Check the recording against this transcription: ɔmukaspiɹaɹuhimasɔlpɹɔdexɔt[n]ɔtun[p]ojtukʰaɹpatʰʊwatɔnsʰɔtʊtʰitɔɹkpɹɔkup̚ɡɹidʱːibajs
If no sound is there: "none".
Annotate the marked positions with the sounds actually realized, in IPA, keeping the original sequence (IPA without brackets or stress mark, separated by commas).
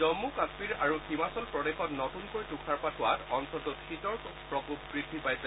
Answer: n, k